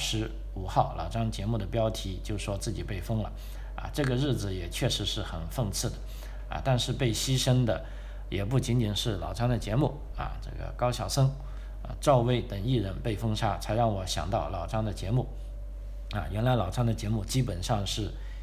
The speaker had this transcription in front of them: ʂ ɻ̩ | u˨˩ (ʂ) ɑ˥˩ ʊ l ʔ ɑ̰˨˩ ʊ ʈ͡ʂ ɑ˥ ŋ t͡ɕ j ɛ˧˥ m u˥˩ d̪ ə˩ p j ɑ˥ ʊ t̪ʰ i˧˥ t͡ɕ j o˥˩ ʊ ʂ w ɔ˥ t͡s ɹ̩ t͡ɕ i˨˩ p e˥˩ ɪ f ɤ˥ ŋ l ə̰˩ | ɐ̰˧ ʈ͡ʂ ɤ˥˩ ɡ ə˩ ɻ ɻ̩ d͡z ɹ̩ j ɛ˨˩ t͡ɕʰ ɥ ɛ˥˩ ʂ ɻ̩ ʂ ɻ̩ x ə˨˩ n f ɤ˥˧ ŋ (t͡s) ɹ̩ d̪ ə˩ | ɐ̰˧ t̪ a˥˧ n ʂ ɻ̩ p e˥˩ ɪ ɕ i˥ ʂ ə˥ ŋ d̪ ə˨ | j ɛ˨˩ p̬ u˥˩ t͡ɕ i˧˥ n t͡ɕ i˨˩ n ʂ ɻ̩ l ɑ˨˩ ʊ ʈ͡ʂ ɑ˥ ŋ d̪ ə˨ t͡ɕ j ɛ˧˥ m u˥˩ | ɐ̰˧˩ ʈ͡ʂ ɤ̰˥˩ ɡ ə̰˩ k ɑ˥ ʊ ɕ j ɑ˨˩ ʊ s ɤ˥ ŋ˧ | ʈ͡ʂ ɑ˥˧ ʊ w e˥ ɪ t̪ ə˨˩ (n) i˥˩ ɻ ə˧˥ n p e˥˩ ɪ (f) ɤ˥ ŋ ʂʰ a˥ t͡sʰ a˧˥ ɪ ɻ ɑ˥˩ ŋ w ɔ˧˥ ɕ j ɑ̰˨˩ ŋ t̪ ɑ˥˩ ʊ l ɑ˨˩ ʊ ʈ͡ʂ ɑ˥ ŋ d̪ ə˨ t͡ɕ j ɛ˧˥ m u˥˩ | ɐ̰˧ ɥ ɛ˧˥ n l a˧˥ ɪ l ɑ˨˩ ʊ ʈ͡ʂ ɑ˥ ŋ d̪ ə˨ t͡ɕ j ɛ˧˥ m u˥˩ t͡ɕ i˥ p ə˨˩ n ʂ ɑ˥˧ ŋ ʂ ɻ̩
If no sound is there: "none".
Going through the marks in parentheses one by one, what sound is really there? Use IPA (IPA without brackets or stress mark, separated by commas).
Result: x, t͡sʰ, ŋ, f